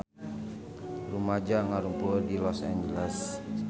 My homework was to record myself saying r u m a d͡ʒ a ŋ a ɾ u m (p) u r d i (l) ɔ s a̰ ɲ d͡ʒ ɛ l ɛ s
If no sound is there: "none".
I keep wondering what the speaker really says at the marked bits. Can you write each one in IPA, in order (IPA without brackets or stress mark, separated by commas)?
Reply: p, l